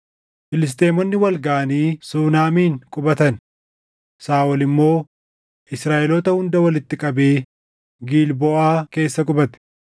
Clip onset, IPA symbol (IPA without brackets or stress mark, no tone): f